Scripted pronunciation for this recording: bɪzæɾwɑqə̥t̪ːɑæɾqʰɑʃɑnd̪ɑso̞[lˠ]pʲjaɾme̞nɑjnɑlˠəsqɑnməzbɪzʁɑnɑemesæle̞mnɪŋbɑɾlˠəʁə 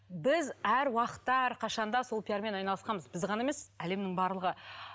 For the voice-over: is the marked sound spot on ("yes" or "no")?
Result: yes